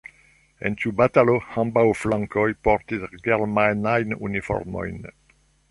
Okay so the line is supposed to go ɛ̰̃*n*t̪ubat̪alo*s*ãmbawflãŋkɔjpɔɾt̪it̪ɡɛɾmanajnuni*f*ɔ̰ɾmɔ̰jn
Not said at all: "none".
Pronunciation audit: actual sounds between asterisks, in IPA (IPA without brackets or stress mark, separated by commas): n, h, f